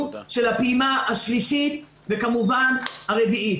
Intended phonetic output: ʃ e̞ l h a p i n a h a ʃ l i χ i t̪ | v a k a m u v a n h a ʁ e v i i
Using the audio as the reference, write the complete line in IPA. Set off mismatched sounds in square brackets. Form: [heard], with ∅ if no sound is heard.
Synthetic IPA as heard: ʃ e̞ l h a p i [m] a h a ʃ l i [ʃ] i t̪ | v [e] k a m u v a n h a ʁ e v i i